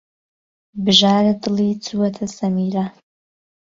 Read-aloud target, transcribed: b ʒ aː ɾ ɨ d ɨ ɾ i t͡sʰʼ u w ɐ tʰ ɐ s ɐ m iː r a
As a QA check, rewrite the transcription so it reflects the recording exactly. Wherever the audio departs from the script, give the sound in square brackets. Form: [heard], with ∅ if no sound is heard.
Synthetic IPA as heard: b ʒ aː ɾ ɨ d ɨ [l] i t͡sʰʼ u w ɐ tʰ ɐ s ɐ m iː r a